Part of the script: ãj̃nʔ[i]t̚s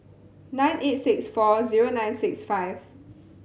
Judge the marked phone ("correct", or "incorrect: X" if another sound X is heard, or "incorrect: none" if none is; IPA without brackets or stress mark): incorrect: e